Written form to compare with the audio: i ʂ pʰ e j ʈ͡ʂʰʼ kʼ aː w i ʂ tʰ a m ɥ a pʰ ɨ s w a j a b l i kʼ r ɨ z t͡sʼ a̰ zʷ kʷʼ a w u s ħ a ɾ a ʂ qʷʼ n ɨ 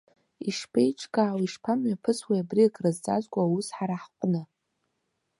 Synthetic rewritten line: i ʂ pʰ e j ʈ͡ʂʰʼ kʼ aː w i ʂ pʰ a m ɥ a pʰ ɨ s w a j a b r i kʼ r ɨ z t͡sʼ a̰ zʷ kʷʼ a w u s ħ a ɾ a ħ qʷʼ n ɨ